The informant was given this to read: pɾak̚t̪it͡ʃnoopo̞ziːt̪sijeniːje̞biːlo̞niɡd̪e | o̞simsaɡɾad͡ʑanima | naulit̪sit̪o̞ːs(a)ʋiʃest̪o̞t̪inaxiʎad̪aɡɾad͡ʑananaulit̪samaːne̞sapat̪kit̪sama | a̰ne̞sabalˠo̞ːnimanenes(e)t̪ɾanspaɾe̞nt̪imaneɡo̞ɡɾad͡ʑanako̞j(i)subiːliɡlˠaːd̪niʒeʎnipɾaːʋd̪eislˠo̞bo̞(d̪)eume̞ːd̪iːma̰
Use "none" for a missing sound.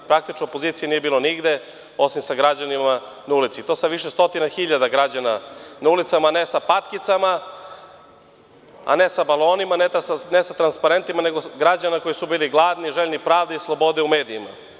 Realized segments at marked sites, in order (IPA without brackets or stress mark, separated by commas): a, a, i, d̪